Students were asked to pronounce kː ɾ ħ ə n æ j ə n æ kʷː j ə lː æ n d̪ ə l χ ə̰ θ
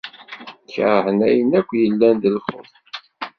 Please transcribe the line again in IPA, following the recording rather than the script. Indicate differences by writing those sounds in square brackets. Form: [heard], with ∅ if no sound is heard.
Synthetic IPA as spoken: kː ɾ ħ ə n æ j ə n æ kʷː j ə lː æ n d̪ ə l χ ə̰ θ